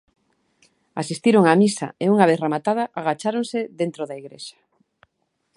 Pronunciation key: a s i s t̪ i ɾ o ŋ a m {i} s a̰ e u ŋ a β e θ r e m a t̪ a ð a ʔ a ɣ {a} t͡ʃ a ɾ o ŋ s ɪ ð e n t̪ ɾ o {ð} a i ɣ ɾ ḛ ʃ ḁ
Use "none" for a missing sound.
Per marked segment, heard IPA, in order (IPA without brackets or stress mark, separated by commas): i, a, ð